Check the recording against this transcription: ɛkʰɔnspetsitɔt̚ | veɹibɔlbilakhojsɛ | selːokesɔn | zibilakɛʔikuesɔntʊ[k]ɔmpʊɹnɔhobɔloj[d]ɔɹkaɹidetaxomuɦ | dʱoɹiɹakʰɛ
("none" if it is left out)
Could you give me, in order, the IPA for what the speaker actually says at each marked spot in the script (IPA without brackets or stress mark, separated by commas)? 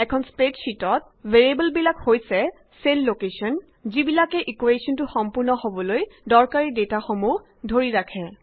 x, d